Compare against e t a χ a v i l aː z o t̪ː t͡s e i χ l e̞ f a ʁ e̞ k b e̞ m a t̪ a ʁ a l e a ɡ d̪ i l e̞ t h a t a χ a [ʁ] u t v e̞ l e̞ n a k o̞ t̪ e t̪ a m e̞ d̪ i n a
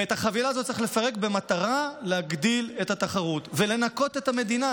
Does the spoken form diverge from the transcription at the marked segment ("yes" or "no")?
no